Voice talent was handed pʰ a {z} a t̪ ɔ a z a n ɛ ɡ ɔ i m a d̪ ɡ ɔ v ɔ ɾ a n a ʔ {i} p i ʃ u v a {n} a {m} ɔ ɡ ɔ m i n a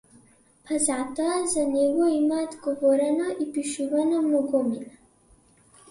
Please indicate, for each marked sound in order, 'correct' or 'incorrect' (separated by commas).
correct, correct, correct, correct